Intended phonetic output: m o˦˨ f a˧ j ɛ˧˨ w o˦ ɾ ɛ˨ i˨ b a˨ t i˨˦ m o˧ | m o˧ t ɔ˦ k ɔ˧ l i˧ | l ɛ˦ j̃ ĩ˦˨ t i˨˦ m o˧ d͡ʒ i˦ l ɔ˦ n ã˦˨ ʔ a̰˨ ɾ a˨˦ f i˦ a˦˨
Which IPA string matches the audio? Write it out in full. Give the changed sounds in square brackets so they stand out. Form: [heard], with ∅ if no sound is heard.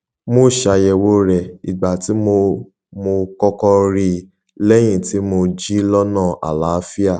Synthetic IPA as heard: m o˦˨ [ʃ] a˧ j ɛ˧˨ w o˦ ɾ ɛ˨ i˨ [ɡ͡b] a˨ t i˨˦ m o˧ | m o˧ [k] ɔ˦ k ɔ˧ [ɾ] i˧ | l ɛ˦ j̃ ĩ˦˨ t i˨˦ m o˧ d͡ʒ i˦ l ɔ˦ n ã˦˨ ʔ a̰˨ [l] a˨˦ f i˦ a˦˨